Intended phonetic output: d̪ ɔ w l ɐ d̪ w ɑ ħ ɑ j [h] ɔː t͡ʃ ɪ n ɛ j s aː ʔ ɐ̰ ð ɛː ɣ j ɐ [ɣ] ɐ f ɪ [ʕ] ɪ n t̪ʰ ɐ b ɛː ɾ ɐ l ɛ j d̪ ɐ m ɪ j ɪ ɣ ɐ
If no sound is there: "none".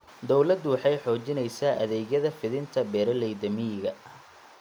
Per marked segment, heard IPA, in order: ħ, ð, ð

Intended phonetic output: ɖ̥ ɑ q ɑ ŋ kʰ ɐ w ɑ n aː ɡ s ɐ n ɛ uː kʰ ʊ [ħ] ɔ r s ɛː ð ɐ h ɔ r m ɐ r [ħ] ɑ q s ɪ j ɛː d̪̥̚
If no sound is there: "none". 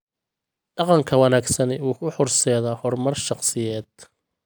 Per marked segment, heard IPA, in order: ħ, ʃ

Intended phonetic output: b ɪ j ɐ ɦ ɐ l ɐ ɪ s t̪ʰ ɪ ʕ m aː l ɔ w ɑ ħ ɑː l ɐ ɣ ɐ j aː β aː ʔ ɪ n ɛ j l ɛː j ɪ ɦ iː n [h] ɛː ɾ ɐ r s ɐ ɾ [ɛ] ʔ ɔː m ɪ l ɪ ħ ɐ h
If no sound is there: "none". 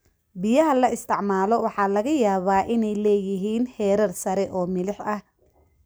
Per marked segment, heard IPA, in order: h, ɛ

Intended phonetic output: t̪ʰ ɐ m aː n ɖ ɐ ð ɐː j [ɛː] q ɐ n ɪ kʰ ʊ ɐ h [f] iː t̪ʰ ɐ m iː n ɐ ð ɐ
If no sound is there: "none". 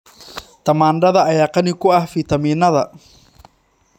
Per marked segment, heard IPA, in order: aː, f

